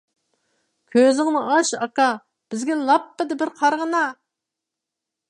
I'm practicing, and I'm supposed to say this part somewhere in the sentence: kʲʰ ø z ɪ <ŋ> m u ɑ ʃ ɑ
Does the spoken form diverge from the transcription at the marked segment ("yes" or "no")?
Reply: no